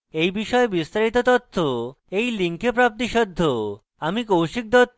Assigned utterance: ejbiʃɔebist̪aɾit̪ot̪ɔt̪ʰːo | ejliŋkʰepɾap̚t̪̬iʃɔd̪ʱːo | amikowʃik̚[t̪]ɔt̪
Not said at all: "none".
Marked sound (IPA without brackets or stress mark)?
d̪